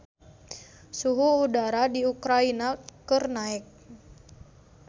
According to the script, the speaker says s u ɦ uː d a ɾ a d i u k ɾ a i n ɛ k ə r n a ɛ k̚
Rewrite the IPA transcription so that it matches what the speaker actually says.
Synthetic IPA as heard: s u ɦ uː d a ɾ a d i u k ɾ a i n a k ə r n a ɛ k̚